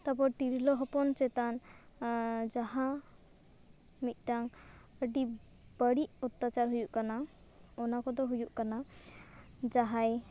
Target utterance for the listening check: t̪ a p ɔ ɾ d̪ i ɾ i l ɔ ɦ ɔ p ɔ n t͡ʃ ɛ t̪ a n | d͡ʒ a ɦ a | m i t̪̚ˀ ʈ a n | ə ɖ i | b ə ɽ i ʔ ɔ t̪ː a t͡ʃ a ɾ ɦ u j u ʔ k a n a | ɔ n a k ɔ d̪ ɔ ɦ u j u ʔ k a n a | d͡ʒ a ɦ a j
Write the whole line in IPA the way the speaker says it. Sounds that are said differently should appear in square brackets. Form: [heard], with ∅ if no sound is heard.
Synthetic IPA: t̪ a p ɔ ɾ [t̪] i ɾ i l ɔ ɦ ɔ p ɔ n t͡ʃ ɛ t̪ a n | d͡ʒ a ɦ a | m i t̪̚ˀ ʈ a [ŋ] | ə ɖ i | b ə ɽ i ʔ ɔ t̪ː a t͡ʃ a ɾ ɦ u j u ʔ k a n a | ɔ n a k ɔ d̪ ɔ ɦ u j u ʔ k a n a | d͡ʒ a ɦ a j